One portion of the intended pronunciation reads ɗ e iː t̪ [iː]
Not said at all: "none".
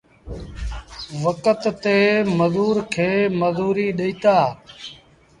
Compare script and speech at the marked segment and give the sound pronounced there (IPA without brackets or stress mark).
aː